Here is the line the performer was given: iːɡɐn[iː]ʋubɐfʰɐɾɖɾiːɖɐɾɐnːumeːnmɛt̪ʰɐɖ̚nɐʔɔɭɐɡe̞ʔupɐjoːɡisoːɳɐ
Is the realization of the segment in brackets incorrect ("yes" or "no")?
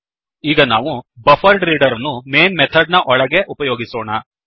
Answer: yes